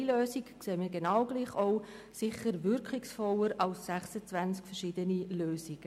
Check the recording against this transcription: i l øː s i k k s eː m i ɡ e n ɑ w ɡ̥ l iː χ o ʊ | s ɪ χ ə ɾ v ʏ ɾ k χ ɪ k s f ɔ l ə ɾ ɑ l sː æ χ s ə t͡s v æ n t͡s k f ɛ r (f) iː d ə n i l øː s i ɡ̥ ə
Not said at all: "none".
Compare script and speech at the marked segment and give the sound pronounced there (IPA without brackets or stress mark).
ʃ